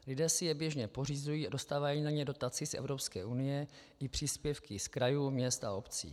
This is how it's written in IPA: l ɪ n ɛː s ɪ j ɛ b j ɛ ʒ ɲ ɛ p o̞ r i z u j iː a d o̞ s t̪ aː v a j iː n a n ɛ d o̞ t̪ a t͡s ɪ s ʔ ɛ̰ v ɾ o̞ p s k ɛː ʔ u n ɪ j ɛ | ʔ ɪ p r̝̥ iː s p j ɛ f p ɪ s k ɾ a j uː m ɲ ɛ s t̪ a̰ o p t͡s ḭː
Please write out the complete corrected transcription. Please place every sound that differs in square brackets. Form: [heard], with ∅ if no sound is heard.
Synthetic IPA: l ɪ [d] ɛː s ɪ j ɛ b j ɛ ʒ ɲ ɛ p o̞ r i z u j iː a d o̞ s t̪ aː v a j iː n a [ɲ] ɛ d o̞ t̪ a t͡s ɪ s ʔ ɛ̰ v ɾ o̞ p s k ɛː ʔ u n ɪ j ɛ | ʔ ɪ p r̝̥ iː s p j ɛ f [k] ɪ s k ɾ a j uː m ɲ ɛ s t̪ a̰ o p t͡s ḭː